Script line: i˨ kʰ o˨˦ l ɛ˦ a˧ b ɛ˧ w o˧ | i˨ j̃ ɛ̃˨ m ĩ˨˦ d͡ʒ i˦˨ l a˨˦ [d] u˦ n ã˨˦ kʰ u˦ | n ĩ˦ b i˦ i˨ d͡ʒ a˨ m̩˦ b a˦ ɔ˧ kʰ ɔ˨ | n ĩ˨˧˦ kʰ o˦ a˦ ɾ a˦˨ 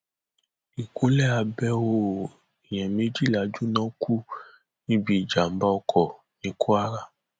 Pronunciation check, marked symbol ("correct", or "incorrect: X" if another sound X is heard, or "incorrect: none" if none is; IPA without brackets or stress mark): incorrect: d͡ʒ